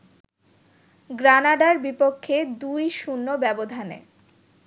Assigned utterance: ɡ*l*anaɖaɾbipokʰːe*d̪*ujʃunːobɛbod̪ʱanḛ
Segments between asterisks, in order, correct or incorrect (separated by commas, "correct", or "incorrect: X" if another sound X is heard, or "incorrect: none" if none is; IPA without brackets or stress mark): incorrect: ɾ, correct